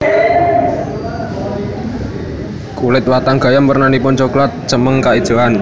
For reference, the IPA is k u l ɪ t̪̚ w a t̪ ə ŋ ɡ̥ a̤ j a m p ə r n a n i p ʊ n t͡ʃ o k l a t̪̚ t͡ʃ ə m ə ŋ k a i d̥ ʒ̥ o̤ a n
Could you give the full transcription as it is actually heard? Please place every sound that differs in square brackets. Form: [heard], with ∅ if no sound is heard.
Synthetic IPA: k u l ɪ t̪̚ w a t̪ [a] ŋ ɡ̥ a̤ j a m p ə r n a n i p ʊ n t͡ʃ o k l a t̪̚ t͡ʃ ə m ə ŋ k a i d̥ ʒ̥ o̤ a n